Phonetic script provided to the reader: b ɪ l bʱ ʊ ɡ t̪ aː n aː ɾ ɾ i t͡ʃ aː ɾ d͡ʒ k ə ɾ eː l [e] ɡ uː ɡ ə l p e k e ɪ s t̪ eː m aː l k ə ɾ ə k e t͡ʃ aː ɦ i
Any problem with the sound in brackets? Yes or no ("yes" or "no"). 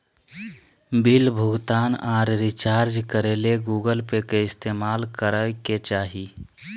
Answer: no